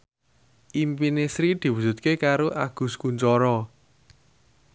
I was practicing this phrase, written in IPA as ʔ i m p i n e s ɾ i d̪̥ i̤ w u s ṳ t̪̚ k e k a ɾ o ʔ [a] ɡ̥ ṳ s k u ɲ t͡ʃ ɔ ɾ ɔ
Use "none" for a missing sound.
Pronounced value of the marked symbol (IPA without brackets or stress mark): a